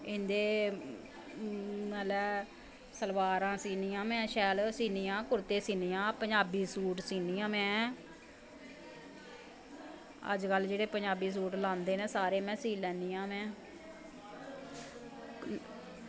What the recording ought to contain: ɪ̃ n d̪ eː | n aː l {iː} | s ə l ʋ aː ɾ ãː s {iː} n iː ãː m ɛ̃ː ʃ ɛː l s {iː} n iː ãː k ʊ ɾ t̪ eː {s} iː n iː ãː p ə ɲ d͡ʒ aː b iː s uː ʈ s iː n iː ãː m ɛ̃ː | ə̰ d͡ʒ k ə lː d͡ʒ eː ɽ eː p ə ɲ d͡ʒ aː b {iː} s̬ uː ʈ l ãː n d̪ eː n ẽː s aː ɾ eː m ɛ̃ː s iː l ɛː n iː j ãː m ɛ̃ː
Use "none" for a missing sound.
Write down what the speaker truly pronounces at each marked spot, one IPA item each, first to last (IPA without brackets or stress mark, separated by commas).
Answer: ɛː, iː, iː, s, iː